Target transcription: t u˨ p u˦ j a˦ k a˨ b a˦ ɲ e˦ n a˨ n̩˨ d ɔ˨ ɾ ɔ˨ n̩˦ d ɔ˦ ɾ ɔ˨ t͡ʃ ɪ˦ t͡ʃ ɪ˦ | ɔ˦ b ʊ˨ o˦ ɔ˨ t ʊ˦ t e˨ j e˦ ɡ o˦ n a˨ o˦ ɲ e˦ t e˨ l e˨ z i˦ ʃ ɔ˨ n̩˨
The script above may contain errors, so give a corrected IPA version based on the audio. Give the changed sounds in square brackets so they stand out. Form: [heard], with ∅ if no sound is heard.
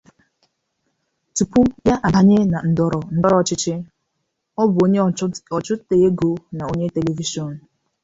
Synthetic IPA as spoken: t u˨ p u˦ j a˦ [ʔ] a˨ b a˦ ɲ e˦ n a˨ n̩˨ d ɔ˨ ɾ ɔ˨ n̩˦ d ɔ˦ ɾ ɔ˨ t͡ʃ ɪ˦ t͡ʃ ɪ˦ | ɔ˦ b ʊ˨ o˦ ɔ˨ [t͡ʃ] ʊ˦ t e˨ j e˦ ɡ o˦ n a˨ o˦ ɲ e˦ t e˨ l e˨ [v] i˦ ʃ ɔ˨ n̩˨